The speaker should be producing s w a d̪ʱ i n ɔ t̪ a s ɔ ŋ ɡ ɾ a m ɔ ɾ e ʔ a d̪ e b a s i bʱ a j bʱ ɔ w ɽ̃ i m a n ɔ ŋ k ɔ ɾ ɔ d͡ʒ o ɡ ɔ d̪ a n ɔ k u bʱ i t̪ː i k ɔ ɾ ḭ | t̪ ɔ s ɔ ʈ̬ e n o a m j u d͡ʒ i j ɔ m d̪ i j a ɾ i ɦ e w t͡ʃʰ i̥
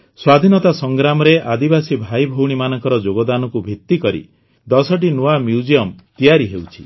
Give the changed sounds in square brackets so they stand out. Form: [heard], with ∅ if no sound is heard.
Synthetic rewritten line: s w a d̪ʱ i n ɔ t̪ a s ɔ ŋ ɡ ɾ a m ɔ ɾ e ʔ a d̪ [i] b a s i bʱ a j bʱ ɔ w ɽ̃ i m a n ɔ ŋ k ɔ ɾ ɔ d͡ʒ o ɡ ɔ d̪ a n ɔ k u bʱ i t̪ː i k ɔ ɾ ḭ | [d̪] ɔ s ɔ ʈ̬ [i] n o a m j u d͡ʒ i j ɔ m [t̪] i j a ɾ i ɦ e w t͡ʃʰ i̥